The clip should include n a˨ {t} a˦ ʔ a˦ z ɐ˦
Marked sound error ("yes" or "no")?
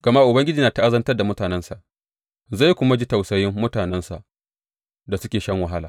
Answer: no